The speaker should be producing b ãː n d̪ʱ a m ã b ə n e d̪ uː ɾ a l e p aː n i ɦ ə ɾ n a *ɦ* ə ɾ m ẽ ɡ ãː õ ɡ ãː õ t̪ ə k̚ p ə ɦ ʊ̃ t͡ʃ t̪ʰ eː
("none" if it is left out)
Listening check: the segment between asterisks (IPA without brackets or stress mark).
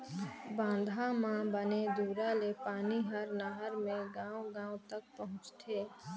ɦ